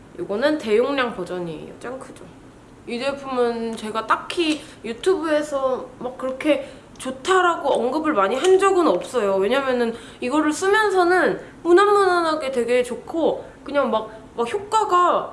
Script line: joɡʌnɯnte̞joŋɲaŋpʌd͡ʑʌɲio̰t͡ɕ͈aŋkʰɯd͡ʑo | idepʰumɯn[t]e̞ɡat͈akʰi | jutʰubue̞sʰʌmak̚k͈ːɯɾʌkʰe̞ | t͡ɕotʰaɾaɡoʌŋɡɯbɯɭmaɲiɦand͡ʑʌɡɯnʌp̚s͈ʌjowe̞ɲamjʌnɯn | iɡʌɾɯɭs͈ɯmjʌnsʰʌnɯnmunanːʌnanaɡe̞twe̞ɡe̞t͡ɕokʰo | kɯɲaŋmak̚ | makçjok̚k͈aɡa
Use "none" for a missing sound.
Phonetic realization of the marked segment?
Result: t͡ɕ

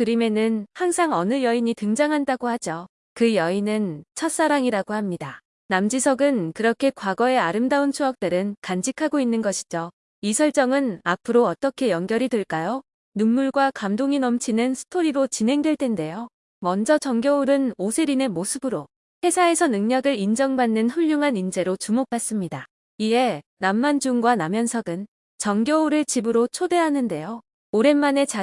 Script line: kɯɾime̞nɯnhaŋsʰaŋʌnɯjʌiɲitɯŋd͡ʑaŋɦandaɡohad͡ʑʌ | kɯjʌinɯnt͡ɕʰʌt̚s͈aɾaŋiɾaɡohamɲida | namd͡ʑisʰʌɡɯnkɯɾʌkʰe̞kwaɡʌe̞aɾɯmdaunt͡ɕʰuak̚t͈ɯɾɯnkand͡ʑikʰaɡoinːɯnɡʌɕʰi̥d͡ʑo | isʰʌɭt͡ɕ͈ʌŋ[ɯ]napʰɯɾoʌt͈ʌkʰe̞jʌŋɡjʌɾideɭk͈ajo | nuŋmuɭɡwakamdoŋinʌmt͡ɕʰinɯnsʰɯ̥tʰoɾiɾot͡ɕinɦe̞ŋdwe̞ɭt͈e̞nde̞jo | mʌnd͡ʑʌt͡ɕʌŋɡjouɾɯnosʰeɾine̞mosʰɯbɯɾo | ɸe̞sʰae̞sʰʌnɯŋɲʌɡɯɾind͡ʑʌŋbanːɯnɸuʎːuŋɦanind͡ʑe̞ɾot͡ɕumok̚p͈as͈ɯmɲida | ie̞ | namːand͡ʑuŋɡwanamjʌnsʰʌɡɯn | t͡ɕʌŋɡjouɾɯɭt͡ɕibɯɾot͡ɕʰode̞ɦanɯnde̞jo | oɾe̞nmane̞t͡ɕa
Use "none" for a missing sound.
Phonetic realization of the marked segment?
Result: ɯ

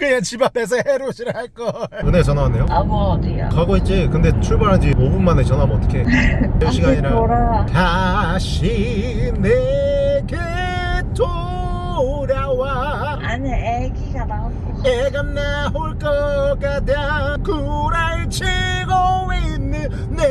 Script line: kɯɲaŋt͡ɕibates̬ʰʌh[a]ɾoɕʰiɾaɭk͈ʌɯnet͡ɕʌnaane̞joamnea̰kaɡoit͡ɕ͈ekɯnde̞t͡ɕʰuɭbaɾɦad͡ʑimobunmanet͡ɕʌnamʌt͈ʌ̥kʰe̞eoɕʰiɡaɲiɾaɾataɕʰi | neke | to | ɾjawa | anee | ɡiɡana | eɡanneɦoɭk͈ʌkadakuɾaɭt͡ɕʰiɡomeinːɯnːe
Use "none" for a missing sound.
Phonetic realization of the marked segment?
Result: e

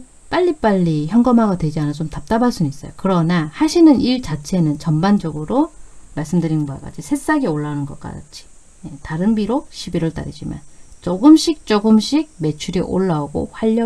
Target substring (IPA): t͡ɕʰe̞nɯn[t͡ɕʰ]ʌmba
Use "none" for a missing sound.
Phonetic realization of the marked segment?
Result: t͡ɕ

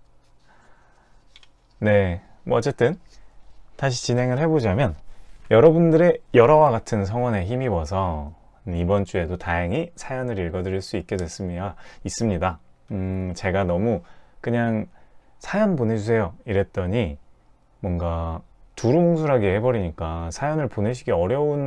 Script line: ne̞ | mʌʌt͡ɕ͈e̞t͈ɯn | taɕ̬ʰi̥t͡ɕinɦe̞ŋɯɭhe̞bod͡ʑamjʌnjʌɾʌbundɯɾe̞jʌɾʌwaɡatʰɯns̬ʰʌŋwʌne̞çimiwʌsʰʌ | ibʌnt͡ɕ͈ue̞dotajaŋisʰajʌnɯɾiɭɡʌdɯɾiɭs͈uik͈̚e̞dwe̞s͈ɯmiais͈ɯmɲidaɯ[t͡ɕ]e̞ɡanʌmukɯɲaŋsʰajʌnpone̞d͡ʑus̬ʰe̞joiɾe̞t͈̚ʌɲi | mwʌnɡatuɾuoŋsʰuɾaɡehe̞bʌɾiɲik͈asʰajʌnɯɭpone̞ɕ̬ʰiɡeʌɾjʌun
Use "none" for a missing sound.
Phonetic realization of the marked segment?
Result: t͡ɕ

